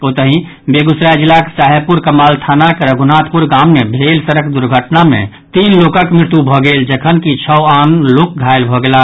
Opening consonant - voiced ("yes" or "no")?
no